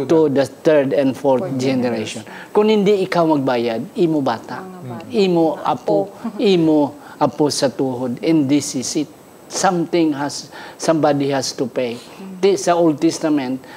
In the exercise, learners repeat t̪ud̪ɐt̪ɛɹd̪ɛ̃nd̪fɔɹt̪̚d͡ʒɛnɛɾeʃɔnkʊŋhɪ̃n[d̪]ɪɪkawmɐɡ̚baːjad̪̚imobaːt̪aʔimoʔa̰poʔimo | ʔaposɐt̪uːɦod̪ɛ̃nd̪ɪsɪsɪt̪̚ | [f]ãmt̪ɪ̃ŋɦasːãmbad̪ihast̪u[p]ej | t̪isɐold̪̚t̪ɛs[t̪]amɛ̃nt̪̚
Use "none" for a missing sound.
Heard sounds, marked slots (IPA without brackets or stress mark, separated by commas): d̪, s, p, t̪